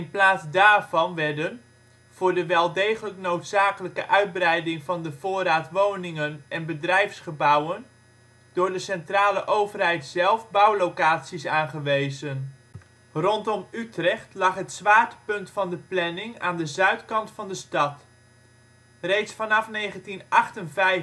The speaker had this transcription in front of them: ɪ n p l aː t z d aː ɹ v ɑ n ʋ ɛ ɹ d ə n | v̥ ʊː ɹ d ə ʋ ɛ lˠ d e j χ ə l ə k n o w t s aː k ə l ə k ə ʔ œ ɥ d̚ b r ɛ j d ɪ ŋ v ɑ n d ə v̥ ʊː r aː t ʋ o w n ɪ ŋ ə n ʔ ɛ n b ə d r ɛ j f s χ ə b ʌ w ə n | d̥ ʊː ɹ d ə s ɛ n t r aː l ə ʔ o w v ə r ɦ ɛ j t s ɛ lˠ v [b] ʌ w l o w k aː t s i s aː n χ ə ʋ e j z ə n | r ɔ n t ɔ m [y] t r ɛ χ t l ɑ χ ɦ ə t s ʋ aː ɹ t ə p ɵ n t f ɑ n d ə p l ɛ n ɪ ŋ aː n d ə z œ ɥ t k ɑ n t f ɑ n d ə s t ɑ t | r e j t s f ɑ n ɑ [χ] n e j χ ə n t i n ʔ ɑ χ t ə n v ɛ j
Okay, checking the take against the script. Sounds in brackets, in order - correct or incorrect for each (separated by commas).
correct, correct, incorrect